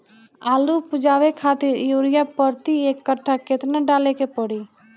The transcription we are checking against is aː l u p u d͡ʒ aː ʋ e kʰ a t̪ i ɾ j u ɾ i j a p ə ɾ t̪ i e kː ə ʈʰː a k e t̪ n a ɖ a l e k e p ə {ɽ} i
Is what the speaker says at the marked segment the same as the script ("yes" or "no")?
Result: yes